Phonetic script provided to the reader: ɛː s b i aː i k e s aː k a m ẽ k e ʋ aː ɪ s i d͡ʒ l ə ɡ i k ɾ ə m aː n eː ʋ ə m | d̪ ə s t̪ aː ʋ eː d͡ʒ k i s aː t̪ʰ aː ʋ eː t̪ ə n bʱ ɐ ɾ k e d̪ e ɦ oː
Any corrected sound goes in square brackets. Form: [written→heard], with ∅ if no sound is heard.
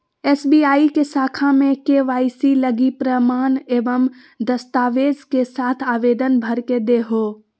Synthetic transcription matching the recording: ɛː s b i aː i k e s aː [k→kʰ] a m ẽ k e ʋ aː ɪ s i [d͡ʒ→∅] l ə ɡ i [k→p] ɾ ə m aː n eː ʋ ə m | d̪ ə s t̪ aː ʋ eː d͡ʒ k [i→e] s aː t̪ʰ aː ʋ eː [t̪→d̪] ə n bʱ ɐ ɾ k e d̪ e ɦ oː